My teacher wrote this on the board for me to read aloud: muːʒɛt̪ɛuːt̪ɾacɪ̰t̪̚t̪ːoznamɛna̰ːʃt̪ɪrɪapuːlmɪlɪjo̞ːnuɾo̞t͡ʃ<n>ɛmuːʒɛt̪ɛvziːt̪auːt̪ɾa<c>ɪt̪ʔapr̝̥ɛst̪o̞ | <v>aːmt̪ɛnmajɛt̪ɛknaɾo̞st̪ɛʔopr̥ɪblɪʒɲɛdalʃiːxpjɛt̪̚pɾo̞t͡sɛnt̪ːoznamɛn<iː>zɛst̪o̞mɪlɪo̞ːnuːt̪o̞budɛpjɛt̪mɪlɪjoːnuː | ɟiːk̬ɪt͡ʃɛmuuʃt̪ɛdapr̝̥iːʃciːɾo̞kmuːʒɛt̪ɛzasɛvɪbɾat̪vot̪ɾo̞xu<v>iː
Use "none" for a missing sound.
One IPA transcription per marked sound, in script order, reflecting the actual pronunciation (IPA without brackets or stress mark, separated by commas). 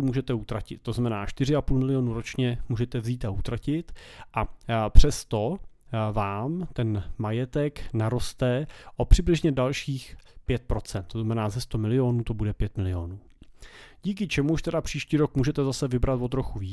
ɲ, c, v, aː, v